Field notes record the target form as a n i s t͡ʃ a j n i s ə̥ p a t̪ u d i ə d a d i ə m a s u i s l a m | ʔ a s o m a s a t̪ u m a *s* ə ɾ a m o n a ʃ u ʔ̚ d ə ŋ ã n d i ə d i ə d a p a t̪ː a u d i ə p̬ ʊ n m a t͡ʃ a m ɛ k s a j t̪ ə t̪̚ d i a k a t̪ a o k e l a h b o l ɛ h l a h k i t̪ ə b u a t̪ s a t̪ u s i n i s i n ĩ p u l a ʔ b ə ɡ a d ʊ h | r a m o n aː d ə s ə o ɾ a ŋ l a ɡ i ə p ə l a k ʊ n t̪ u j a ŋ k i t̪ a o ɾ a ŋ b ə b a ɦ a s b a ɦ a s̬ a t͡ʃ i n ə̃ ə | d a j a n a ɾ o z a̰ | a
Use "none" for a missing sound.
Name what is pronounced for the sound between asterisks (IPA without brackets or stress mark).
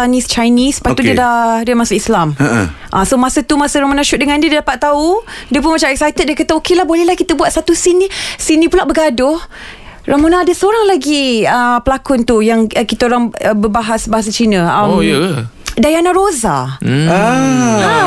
s